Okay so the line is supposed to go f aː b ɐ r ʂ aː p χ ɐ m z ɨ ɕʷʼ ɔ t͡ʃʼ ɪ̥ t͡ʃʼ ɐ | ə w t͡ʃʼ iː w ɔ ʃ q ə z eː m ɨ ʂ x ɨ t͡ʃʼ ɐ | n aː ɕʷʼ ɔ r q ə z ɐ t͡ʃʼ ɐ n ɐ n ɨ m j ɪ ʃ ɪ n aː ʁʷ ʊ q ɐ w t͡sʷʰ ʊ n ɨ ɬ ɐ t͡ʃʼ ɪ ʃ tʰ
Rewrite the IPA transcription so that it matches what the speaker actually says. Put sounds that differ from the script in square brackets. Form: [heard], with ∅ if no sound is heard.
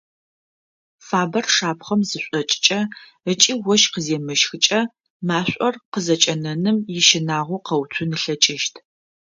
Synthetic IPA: f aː b ɐ r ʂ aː p χ ɐ m z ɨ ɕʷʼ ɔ t͡ʃʼ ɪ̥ t͡ʃʼ ɐ | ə [∅] t͡ʃʼ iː w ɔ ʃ q ə z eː m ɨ [ʃ] x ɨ t͡ʃʼ ɐ | [m] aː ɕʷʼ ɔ r q ə z ɐ t͡ʃʼ ɐ n ɐ n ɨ m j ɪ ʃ ɪ n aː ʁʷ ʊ q ɐ w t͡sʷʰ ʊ n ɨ ɬ ɐ t͡ʃʼ ɪ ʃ tʰ